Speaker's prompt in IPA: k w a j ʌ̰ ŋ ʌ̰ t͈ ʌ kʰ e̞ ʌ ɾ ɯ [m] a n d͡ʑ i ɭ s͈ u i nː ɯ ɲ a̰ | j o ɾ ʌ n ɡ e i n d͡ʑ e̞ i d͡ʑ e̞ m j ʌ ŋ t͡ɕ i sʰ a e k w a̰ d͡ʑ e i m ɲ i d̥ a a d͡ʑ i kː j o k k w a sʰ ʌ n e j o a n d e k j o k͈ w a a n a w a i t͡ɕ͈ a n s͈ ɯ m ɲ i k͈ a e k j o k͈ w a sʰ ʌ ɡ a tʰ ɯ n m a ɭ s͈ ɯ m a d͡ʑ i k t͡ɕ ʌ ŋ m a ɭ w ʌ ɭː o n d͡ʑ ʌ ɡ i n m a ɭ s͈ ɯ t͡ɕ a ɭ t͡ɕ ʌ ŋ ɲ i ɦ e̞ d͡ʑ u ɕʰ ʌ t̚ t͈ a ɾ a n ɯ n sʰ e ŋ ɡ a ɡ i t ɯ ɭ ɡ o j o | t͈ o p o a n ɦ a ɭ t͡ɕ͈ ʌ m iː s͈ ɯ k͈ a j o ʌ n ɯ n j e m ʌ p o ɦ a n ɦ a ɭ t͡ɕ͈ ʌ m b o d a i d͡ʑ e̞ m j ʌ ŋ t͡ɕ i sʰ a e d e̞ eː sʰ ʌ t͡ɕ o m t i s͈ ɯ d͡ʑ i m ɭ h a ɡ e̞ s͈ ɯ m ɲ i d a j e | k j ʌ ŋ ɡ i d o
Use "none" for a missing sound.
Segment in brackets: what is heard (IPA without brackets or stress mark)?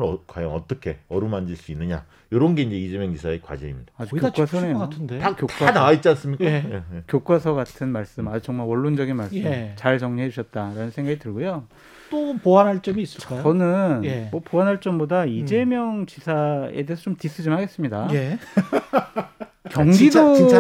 m